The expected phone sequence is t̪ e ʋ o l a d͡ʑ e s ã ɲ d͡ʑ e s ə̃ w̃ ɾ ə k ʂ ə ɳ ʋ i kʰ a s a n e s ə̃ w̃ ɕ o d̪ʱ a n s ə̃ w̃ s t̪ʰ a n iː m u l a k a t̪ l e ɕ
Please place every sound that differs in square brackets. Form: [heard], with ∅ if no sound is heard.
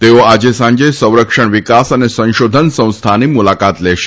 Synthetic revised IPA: t̪ e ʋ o [∅] a d͡ʑ e s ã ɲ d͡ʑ e s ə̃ w̃ ɾ ə k ʂ ə ɳ ʋ i [k] a s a n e s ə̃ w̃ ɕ o d̪ʱ [ə] n s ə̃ w̃ s t̪ʰ a n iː m u l a k a t̪ l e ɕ